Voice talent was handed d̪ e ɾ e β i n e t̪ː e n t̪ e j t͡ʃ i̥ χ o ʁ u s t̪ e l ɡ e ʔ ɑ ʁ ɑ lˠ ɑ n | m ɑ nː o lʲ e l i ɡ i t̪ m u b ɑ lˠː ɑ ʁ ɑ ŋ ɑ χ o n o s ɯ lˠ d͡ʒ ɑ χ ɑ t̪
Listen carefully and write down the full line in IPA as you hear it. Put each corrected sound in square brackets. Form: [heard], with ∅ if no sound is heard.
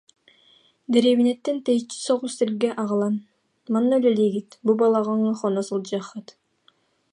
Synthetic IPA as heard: d̪ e ɾ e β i n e t̪ː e n t̪ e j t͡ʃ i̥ [s] o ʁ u s t̪ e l ɡ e ʔ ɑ ʁ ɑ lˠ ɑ n | m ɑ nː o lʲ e l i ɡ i t̪ [b] u b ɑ [lˠ] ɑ ʁ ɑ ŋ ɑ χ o n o s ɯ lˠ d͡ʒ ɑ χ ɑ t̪